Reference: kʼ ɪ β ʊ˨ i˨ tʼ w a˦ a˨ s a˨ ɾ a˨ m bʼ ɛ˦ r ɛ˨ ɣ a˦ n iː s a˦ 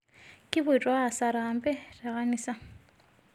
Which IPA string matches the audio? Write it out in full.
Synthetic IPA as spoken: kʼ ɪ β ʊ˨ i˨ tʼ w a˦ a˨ s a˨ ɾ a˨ m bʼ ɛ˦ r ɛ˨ ɣ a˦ n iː s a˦